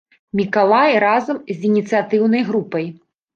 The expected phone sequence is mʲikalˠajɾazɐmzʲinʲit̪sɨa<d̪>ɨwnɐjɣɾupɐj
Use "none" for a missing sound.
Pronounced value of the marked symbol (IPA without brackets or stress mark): t̪